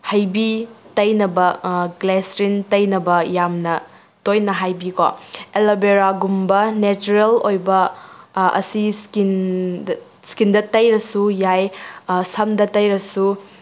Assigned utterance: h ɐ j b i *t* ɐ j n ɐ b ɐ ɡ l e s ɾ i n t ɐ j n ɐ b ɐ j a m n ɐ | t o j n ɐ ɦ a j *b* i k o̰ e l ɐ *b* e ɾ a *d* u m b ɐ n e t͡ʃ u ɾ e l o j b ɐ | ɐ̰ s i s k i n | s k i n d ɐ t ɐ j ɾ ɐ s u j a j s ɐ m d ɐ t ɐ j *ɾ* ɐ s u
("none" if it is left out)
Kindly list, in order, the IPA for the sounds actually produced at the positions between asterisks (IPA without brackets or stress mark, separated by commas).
t, b, b, ɡ, ɾ